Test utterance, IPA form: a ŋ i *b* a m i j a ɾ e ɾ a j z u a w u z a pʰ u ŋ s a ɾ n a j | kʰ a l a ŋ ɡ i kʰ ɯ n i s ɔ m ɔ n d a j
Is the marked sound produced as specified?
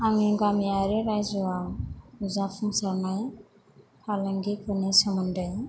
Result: no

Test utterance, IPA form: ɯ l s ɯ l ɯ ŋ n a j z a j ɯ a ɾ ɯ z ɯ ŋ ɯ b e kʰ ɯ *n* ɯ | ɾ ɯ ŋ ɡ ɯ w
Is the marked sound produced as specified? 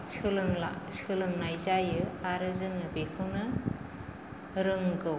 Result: yes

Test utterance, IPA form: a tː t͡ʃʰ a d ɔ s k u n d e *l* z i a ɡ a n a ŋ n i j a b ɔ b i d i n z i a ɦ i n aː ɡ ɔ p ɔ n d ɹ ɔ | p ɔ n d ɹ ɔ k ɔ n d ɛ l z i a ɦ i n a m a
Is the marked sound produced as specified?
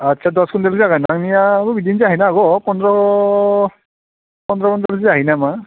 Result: yes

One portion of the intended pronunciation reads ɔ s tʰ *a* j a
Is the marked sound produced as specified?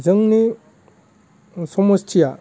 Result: no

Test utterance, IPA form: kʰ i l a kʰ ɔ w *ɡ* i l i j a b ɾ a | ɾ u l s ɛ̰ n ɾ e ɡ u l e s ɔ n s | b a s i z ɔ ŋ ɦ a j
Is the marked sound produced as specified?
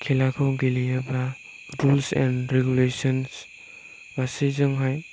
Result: yes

